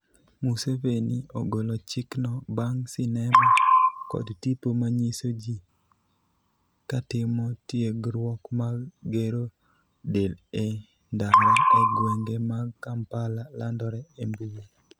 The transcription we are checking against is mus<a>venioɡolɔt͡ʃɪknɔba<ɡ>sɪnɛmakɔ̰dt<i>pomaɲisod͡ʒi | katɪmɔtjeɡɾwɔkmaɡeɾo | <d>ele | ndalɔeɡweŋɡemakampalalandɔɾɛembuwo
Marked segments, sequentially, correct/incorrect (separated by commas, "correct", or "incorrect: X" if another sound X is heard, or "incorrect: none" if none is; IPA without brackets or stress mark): incorrect: e, incorrect: ŋ, correct, correct